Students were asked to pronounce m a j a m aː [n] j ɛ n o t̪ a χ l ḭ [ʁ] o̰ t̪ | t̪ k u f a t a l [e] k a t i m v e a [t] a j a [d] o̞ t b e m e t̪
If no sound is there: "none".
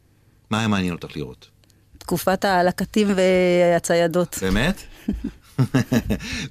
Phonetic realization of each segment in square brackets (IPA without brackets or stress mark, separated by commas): n, ʁ, a, t͡s, d